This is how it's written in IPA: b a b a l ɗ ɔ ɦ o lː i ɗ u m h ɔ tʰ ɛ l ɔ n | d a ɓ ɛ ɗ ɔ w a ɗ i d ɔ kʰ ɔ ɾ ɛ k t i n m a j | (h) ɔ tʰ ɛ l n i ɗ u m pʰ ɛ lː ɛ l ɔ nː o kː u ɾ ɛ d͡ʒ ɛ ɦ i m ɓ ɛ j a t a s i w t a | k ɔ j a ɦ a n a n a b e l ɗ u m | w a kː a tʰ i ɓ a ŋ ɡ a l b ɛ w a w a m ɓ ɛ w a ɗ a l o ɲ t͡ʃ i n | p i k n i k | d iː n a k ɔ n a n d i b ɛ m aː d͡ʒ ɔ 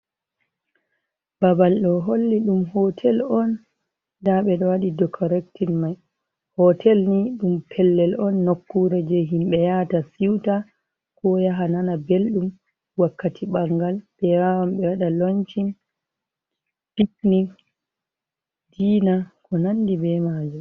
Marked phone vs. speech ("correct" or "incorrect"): correct